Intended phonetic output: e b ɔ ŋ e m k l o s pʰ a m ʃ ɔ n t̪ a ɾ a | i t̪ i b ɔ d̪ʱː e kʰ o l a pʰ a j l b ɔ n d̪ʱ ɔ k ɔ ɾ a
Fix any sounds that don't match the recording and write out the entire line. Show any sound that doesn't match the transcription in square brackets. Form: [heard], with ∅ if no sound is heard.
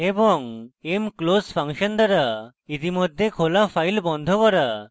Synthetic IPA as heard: e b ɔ ŋ e m k l o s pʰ a [ŋ] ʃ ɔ n [d̪] a ɾ a | i t̪ i [m] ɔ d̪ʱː e kʰ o l a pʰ a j l b ɔ n d̪ʱ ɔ k ɔ ɾ a